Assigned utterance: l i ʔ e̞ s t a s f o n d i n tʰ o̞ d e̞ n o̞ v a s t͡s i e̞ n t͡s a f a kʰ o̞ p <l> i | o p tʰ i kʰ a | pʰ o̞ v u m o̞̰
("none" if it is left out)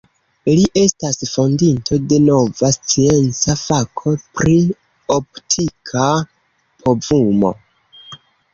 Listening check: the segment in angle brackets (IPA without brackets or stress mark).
ɾ